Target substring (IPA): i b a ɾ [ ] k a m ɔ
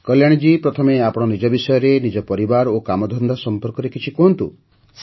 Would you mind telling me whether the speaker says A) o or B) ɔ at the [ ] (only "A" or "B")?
A